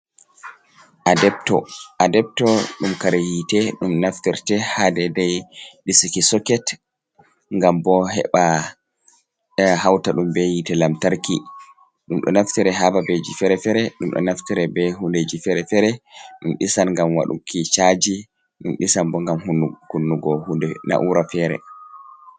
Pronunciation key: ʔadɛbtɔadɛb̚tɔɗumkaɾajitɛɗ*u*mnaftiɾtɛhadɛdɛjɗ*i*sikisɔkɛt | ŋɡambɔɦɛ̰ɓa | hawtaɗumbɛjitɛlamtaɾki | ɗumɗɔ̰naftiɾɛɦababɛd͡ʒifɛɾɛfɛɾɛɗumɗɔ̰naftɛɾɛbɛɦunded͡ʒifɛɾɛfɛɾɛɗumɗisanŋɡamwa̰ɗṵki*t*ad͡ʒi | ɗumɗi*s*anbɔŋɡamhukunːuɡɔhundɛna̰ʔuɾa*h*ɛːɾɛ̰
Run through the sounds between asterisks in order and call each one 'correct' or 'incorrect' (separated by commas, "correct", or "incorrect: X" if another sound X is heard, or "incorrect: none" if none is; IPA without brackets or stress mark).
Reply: correct, correct, incorrect: t͡ʃ, correct, incorrect: f